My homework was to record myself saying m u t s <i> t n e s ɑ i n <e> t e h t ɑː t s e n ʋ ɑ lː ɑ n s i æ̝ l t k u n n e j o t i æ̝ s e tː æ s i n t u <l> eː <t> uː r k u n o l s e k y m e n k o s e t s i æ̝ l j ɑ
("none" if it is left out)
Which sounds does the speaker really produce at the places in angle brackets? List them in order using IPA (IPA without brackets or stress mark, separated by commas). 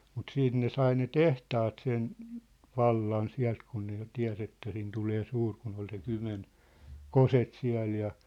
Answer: iː, e, l, s